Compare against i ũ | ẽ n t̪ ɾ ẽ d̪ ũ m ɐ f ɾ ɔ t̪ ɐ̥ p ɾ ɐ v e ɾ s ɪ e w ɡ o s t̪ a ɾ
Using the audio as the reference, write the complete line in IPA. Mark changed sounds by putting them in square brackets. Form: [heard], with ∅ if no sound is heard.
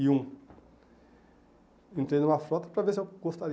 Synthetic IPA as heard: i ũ | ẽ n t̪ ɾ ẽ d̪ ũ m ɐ f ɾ ɔ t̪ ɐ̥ p ɾ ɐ v e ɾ s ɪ e w ɡ o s t̪ a ɾ